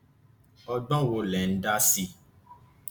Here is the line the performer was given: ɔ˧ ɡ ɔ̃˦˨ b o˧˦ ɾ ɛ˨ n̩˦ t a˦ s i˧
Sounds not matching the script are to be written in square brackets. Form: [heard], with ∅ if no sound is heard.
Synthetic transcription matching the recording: ɔ˧ [ɡ͡b] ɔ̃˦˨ [w] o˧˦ [l] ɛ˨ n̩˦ [d] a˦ s i˧